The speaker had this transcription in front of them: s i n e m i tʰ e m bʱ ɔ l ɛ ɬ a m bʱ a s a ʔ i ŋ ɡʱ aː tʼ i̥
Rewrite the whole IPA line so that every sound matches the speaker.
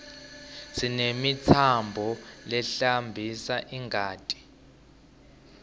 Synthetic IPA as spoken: s i n e m i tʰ a m bʱ ɔ l ɛ ɬ a m bʱ i s a ʔ i ŋ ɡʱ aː tʼ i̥